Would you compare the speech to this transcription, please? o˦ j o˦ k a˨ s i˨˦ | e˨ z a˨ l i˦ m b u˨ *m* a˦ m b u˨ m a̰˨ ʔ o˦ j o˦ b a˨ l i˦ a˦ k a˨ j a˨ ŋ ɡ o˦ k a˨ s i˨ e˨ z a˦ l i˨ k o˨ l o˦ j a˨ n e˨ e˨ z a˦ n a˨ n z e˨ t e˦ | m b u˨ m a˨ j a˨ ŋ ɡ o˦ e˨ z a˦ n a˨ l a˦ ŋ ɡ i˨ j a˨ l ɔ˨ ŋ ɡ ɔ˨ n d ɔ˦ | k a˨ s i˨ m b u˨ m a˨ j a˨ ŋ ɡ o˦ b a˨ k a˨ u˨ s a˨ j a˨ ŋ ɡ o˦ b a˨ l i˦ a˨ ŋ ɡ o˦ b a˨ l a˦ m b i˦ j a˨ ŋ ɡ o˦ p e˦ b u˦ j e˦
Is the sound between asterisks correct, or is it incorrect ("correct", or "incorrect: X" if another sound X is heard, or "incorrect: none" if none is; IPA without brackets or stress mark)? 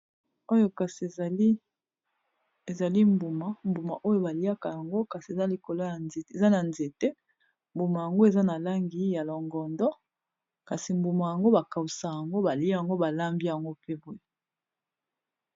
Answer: correct